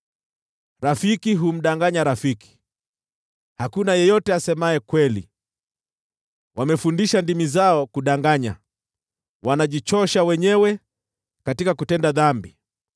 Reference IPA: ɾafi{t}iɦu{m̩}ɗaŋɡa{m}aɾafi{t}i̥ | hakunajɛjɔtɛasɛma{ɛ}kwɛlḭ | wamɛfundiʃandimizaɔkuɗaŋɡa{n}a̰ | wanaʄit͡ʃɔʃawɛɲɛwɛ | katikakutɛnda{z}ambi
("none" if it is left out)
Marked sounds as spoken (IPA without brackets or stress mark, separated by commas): k, m̩, ɲ, k, ɛ, ɲ, ð